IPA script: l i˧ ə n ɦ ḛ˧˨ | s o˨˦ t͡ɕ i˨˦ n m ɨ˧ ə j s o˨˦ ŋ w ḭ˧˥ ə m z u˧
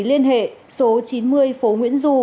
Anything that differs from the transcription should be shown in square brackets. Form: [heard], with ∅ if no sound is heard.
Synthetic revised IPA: l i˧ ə n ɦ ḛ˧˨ | s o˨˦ t͡ɕ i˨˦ n m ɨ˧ ə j [f] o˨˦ ŋ w ḭ˧˥ ə [n] z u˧